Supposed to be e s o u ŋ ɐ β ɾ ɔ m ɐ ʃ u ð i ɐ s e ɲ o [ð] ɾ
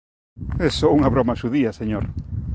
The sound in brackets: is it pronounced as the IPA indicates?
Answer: no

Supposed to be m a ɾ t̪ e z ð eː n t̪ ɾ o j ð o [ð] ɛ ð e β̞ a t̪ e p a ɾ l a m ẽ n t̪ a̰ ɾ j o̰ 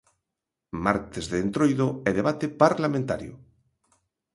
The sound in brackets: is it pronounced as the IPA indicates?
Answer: no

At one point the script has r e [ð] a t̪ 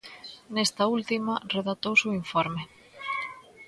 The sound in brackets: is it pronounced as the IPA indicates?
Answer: yes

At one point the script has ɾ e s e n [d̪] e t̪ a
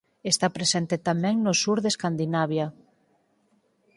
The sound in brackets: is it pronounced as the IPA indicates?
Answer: no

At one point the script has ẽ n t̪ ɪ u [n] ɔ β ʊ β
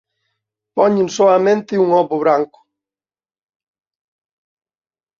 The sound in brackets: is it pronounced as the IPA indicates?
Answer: no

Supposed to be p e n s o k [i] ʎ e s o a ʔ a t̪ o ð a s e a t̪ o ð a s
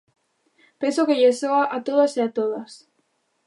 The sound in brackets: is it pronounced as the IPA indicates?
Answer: no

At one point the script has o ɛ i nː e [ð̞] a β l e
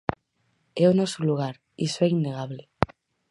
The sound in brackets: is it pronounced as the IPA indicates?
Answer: no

